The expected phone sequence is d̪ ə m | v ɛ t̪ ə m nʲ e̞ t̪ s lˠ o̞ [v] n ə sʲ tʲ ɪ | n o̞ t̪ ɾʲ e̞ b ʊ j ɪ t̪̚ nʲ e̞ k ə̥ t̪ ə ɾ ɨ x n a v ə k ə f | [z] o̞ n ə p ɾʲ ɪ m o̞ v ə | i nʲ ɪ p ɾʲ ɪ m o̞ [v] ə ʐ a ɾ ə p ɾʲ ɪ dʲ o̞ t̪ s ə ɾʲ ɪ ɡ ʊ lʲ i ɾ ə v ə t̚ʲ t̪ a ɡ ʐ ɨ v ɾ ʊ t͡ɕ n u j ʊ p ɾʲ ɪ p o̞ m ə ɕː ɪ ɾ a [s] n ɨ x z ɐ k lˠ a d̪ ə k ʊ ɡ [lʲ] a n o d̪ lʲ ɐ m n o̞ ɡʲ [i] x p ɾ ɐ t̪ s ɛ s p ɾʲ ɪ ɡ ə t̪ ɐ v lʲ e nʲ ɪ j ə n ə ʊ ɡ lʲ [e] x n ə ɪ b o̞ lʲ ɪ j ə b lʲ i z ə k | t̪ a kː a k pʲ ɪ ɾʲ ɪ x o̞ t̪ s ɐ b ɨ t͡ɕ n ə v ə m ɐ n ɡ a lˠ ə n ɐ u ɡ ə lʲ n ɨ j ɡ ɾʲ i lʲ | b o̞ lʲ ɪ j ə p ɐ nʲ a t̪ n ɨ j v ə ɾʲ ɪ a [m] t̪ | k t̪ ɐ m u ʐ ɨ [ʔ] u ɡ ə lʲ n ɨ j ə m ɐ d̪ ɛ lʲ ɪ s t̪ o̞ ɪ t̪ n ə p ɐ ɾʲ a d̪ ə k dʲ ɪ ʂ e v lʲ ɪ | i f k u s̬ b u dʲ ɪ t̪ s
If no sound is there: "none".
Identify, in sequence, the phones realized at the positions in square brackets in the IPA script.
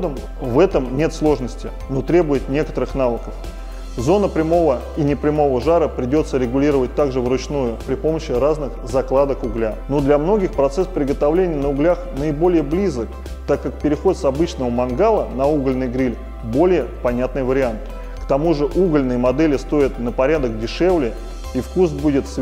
ʐ, z, v, z, lʲ, ɪ, a, n, ʔ

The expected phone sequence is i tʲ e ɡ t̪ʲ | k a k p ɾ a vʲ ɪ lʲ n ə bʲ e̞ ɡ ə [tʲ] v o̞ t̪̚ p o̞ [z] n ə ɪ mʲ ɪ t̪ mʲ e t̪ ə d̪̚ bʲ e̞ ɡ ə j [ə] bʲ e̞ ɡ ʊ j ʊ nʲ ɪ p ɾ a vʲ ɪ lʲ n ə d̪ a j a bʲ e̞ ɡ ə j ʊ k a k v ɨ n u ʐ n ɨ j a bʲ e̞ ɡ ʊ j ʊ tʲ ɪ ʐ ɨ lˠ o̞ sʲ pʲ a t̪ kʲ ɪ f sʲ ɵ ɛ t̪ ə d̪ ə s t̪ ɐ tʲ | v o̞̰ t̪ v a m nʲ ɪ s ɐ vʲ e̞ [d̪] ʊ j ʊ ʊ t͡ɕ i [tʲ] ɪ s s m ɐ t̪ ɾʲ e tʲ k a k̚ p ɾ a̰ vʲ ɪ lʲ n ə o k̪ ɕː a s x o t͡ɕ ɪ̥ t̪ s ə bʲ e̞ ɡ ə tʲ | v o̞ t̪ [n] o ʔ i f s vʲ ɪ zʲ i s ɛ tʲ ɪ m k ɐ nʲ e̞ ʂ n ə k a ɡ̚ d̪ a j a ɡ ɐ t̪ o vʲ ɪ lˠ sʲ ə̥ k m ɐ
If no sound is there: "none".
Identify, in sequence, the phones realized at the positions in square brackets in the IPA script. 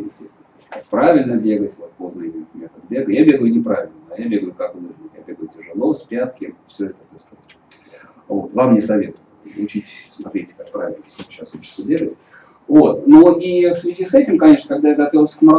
tʲ, z, a, t̪, tʲ, n

